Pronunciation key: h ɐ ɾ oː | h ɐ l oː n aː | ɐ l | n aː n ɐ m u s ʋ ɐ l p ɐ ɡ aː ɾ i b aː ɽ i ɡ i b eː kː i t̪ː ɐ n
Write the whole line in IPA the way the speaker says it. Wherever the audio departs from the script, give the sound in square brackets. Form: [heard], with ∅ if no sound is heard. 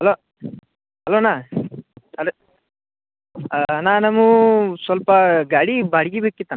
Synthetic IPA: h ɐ [l] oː | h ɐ l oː n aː | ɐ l | n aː n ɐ m u s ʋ ɐ l p ɐ ɡ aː [ɽ] i b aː ɽ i ɡ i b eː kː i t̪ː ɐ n